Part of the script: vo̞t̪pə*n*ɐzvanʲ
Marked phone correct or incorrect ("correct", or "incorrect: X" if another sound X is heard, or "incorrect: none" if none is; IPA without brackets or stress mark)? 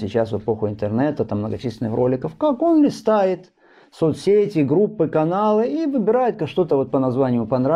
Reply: correct